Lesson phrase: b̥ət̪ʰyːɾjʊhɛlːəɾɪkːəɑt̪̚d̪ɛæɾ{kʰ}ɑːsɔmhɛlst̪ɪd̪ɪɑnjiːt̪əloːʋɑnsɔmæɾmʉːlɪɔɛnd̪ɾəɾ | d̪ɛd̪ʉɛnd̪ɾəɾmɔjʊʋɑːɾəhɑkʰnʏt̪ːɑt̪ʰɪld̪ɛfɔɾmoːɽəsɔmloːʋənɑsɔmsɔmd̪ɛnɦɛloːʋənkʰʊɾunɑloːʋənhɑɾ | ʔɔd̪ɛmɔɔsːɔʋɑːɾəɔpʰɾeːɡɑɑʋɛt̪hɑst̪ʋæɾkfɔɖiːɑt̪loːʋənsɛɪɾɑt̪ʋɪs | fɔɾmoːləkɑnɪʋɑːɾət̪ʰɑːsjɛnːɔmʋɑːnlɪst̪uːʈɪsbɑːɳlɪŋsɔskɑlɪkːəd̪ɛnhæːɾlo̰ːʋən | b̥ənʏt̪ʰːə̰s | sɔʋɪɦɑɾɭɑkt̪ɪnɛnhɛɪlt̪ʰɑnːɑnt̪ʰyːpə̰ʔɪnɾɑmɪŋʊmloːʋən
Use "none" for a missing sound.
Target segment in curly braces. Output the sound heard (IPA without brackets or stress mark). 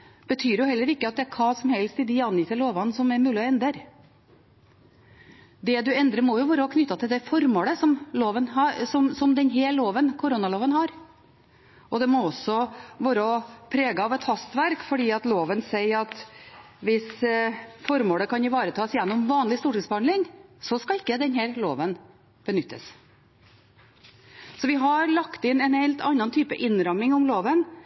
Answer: kʰ